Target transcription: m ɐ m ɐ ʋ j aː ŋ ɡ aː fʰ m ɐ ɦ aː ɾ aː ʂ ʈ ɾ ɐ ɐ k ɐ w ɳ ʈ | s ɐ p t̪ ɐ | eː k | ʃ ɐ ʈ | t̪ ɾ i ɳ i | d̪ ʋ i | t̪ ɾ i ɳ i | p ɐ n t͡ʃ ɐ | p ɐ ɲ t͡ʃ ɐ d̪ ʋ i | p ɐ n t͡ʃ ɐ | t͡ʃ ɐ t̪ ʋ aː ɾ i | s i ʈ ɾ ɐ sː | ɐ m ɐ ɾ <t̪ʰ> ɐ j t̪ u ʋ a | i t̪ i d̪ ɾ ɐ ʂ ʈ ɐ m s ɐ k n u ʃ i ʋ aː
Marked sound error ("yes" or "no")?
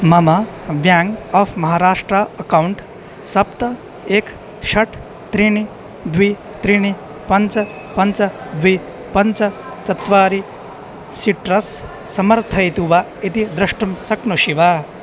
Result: no